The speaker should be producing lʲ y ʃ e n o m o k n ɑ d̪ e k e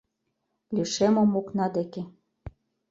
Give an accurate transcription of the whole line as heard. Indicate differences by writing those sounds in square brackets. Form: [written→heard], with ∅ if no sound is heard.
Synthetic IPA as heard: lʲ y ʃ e [n→m] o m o k n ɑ d̪ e k e